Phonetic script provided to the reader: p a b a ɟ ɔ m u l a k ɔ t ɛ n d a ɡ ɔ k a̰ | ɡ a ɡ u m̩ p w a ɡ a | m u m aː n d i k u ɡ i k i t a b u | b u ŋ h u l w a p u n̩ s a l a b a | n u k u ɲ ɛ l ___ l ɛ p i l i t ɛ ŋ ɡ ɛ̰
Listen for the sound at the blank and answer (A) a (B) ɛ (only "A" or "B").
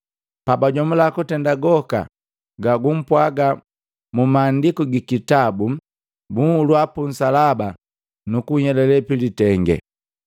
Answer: B